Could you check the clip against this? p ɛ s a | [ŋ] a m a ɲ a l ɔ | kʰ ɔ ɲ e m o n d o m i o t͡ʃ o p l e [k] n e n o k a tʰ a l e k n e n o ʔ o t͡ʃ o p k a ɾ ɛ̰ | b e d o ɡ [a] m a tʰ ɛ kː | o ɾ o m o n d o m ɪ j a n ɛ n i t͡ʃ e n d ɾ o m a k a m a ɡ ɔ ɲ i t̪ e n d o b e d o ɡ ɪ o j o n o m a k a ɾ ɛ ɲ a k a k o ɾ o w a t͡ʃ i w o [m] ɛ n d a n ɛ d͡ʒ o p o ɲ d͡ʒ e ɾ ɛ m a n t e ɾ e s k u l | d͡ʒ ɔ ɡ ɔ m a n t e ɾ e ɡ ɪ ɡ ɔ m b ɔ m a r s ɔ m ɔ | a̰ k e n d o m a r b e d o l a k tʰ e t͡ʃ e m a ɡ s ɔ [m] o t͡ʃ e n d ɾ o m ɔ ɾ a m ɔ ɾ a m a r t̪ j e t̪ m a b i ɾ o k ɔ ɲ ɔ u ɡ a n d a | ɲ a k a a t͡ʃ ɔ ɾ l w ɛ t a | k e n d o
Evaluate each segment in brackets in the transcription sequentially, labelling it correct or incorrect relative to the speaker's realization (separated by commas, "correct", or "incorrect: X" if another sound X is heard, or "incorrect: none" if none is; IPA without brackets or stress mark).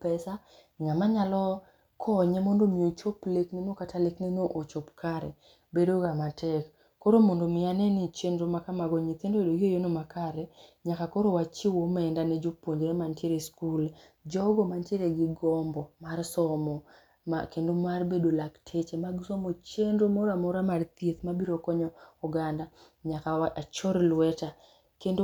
correct, correct, correct, correct, correct